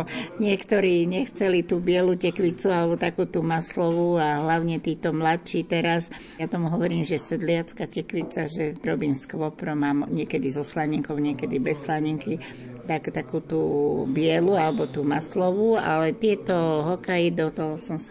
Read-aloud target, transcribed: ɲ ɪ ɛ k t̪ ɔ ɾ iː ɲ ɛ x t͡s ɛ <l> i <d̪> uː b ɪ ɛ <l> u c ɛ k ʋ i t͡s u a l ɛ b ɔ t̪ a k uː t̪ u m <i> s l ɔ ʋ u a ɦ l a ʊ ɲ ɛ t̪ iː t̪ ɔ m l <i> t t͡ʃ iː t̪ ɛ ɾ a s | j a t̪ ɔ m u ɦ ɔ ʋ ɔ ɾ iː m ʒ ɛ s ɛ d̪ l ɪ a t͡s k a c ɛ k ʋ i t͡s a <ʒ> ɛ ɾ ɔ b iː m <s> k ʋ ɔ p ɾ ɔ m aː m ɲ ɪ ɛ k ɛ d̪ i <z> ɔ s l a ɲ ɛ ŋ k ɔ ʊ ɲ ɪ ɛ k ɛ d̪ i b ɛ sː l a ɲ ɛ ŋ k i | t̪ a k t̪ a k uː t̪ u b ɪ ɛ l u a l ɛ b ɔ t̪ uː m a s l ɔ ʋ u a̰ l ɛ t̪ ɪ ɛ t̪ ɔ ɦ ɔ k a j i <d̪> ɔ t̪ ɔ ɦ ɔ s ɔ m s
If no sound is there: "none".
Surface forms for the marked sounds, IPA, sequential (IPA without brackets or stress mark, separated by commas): l, t̪, l, a, a, ʒ, s, z, d̪